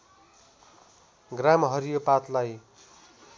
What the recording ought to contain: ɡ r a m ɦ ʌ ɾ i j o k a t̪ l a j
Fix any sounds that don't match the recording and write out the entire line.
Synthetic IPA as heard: ɡ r a m ɦ ʌ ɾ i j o p a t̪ l a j